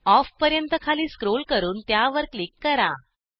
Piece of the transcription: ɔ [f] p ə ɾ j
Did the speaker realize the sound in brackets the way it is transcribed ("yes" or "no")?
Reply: yes